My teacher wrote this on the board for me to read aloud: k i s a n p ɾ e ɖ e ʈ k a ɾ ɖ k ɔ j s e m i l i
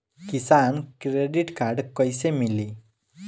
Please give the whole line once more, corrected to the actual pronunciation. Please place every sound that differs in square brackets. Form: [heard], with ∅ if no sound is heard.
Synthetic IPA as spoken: k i s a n [k] ɾ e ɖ [i] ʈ k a ɾ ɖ k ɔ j s e m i l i

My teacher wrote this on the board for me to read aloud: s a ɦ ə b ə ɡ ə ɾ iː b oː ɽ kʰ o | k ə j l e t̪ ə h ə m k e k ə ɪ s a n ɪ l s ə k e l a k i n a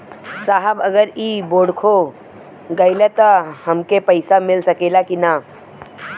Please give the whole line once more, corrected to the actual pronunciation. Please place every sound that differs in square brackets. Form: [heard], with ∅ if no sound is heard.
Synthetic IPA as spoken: s a ɦ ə b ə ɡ ə ɾ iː b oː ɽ kʰ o | [ɡ] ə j l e t̪ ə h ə m k e [p] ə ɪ s a [m] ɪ l s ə k e l a k i n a

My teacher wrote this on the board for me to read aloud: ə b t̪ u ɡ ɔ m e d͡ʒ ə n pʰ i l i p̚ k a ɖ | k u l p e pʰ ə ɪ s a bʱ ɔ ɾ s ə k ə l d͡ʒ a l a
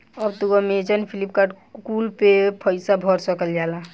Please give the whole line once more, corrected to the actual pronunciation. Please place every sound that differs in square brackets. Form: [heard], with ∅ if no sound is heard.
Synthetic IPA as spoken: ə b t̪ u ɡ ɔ m e d͡ʒ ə n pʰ i l i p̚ k a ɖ | k u l p e pʰ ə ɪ s a bʱ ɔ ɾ s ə k ə l d͡ʒ a l a

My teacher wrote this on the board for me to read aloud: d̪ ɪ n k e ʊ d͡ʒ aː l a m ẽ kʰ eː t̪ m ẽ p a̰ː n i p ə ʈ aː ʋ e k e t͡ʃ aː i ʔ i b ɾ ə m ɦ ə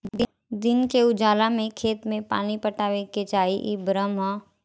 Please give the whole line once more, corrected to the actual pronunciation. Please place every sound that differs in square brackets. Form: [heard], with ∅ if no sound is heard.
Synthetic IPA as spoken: d̪ ɪ n k e ʊ d͡ʒ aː l a m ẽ kʰ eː t̪ m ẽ p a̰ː n i p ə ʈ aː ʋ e k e t͡ʃ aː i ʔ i b ɾ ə m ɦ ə

